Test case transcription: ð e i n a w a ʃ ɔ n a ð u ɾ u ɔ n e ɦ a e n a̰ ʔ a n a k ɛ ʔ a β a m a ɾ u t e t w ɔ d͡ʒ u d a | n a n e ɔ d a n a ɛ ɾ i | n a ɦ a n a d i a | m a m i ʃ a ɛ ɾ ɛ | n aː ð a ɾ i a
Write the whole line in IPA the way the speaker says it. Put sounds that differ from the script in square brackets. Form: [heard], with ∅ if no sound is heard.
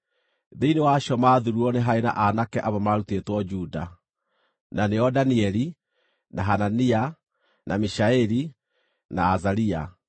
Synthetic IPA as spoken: ð e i n [e] w a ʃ ɔ [m] a ð u ɾ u ɔ n e ɦ a e n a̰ ʔ a n a k ɛ ʔ a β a m a ɾ u t e t w ɔ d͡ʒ u d a | n a n e ɔ d a n [i] ɛ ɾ i | n a ɦ a n a [n] i a | [n] a m i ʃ a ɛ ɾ [i] | n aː [z] a ɾ i a